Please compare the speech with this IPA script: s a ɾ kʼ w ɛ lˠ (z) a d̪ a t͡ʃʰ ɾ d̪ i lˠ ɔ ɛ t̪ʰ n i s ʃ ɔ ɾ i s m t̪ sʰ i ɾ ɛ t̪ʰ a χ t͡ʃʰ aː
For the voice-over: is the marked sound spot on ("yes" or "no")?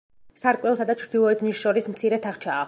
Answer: no